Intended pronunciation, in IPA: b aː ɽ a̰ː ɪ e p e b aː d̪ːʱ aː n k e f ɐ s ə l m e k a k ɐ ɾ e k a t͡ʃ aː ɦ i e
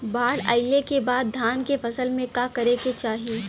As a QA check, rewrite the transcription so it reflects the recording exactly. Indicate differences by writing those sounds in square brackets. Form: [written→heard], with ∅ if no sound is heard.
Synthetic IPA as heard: b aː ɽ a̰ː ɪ e [p→k] e b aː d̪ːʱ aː n k e f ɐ s ə l m [e→ẽ] k a k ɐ ɾ e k [a→e] t͡ʃ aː ɦ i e